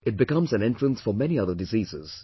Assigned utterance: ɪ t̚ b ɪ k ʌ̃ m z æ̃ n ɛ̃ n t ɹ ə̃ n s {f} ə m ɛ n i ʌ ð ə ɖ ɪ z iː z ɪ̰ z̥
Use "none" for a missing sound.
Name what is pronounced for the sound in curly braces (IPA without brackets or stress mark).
f